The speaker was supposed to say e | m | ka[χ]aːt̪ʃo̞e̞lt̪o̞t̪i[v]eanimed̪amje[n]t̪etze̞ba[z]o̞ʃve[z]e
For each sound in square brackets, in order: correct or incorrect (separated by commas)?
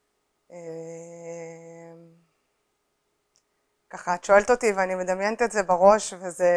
correct, correct, correct, incorrect, correct